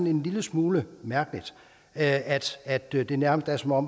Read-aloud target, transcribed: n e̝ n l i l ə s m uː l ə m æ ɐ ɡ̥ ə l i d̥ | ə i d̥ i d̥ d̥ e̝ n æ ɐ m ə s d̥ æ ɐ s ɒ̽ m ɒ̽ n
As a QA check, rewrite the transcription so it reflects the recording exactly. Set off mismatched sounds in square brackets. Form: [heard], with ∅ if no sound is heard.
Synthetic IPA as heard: n e̝ n l i l ə s m uː l ə m æ ɐ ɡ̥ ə l i d̥ | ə [æ] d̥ [æ] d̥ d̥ e̝ n æ ɐ m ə s d̥ æ ɐ s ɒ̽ m ɒ̽ [m]